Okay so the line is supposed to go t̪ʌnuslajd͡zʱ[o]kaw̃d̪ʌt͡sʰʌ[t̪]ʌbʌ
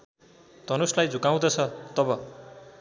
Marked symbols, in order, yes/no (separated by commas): no, yes